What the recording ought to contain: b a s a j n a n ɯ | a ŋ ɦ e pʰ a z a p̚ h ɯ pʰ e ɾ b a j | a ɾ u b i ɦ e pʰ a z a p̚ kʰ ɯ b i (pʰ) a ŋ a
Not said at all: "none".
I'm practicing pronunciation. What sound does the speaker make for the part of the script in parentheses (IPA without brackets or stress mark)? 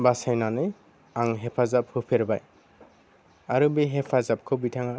tʰ